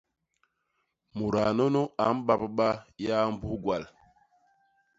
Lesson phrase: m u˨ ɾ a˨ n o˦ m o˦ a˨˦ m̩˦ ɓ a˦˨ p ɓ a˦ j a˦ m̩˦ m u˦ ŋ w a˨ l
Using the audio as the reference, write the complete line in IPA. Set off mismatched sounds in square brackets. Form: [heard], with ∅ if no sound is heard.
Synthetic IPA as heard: m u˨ ɾ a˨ n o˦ [n] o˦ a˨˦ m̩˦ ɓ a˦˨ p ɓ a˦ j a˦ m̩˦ [b] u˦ [ɡ] w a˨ l

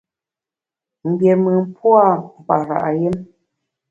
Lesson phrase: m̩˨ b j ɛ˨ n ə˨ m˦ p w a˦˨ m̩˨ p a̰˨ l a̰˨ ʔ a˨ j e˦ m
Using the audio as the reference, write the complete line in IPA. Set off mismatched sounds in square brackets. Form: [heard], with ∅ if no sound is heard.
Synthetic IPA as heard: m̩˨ b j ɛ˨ [m] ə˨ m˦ p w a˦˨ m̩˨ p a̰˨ [ɾ] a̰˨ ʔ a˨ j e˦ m

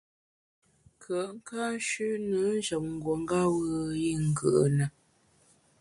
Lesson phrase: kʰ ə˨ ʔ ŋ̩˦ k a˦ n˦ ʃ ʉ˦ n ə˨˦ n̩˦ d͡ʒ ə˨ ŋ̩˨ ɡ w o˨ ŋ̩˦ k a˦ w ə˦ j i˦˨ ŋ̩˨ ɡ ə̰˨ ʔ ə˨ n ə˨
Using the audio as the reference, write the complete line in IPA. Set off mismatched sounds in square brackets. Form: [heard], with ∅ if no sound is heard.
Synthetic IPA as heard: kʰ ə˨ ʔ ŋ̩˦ k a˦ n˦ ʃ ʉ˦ n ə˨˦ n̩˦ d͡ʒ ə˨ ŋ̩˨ ɡ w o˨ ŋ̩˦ [ɡ] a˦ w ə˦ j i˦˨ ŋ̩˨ ɡ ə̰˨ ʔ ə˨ n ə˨

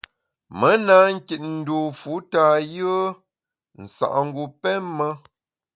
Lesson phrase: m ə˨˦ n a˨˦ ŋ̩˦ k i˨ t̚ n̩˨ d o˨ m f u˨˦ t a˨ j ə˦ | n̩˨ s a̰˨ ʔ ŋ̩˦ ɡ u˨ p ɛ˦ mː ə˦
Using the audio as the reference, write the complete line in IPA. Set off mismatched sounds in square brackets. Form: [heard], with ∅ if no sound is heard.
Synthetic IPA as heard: m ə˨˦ n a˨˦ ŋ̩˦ k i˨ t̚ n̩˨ d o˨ [∅] f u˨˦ t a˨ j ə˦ | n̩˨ s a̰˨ ʔ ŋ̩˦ ɡ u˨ p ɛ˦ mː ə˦

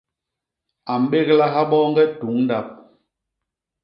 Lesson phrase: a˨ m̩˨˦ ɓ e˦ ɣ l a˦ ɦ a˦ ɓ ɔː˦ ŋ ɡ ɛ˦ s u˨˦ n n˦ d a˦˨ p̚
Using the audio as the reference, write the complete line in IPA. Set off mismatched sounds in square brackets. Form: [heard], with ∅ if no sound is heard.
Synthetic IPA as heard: a˨ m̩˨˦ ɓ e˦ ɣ l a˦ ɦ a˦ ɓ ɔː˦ ŋ ɡ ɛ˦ [t] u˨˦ [ŋ] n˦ d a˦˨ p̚

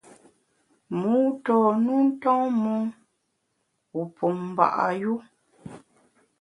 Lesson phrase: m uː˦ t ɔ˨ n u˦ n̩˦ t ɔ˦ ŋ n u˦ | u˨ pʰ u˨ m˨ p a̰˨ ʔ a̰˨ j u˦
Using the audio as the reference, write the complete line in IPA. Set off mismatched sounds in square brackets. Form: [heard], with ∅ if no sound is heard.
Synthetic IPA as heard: m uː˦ t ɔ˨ n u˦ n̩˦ t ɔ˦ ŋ [m] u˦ | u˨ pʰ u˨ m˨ [b] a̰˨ ʔ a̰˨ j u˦

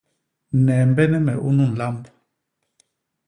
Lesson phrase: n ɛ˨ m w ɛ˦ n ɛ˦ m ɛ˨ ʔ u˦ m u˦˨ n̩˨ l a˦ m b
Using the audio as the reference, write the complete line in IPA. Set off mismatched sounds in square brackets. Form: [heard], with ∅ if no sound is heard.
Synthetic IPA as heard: n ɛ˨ m [b] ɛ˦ n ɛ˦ m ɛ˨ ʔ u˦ [n] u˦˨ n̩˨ l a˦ m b

